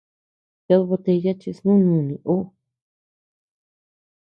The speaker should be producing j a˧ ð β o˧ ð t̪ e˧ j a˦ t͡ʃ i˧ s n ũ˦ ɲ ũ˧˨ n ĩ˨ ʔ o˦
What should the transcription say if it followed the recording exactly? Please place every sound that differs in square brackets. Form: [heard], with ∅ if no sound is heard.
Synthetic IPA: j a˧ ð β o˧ [∅] t̪ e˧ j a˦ t͡ʃ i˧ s n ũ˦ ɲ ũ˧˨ n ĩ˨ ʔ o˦